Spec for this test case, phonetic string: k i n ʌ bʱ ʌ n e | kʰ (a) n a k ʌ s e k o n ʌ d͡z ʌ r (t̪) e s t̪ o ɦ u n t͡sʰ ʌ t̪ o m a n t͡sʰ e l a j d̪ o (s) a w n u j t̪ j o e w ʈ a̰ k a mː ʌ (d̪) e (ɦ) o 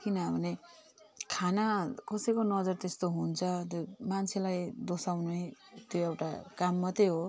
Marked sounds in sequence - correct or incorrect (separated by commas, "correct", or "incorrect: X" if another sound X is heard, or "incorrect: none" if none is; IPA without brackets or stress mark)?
correct, correct, correct, incorrect: t̪, correct